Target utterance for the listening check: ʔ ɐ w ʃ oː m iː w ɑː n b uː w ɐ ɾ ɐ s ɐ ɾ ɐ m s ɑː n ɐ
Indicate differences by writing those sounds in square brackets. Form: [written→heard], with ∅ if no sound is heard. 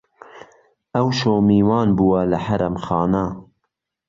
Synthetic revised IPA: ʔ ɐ w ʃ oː m iː w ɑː n b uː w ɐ [ɾ→l] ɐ [s→ħ] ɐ ɾ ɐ m [s→x] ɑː n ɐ